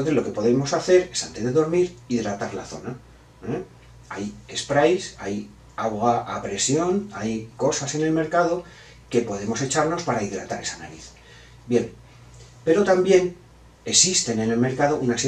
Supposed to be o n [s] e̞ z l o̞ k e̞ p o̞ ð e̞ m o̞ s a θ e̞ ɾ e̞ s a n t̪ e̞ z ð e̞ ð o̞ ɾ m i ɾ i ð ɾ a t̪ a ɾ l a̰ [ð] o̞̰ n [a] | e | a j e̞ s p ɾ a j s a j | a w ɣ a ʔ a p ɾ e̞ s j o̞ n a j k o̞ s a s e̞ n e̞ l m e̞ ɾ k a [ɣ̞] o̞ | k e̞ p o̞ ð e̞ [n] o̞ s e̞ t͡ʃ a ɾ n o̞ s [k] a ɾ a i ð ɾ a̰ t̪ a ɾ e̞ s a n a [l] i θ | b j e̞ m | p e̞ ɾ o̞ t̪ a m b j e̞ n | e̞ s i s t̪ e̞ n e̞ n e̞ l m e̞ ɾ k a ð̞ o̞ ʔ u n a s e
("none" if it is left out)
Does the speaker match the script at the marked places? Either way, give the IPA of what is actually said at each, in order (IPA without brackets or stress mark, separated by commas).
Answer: θ, θ, a, ð̞, m, p, ɾ